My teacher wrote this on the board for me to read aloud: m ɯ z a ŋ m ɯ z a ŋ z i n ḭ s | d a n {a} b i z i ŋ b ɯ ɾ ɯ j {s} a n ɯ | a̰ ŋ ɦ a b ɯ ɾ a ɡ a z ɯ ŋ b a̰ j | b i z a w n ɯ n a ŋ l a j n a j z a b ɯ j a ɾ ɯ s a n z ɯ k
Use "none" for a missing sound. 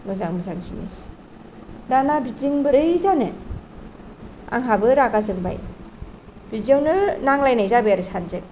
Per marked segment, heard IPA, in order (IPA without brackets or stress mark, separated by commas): a, z